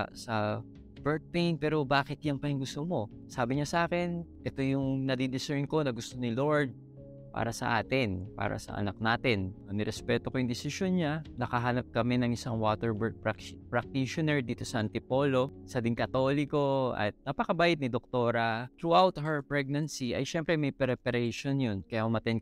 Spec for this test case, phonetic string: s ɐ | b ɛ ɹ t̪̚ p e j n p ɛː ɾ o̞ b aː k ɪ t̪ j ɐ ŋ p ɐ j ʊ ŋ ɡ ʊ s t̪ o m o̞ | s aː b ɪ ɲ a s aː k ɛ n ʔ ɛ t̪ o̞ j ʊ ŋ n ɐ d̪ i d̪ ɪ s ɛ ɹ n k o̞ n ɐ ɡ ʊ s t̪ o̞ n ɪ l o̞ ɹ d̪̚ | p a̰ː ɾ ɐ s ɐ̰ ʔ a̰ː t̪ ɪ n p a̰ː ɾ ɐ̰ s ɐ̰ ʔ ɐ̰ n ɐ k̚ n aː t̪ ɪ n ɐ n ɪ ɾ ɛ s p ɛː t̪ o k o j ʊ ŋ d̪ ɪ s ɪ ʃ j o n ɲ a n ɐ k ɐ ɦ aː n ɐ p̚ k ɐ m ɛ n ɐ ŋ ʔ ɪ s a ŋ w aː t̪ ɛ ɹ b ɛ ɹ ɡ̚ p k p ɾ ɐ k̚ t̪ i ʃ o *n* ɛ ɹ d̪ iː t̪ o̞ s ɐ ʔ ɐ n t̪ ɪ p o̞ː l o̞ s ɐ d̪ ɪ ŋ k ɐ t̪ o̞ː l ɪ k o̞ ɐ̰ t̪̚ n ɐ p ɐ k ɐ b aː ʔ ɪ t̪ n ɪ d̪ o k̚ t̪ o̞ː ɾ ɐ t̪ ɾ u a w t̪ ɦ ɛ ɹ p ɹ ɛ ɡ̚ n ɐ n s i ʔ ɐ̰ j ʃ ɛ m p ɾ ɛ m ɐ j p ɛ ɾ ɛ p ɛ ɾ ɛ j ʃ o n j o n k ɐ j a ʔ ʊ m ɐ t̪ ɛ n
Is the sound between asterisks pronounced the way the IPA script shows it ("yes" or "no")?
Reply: yes